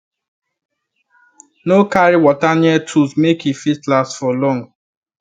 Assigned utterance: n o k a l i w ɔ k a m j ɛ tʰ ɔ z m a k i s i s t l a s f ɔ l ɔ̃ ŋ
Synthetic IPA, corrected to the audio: n o k a ɾ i w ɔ t a n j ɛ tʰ u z m e k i f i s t l a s f ɔ l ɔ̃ ŋ